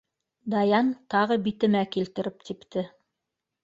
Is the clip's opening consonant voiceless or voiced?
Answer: voiced